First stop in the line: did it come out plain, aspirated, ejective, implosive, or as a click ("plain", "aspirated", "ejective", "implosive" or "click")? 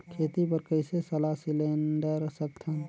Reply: aspirated